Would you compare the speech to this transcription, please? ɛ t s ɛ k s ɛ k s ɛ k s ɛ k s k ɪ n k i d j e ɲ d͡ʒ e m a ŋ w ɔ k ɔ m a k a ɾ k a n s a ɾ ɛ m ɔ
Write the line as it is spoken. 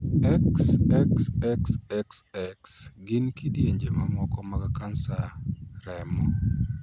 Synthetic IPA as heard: ɛ k s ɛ k s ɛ k s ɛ k s ɛ k s ɡ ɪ n k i d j e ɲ d͡ʒ e m a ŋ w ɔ k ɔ m a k a k a n s a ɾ ɛ m ɔ